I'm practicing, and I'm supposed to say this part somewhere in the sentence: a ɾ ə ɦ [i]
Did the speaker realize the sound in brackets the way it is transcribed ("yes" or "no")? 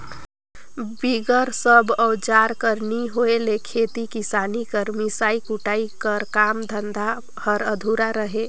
no